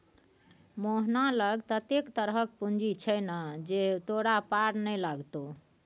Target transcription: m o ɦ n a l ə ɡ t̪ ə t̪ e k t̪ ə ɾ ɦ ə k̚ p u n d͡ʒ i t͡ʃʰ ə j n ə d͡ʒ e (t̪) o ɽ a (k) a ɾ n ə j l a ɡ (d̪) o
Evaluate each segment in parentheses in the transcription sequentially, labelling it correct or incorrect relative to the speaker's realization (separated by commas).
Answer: correct, incorrect, incorrect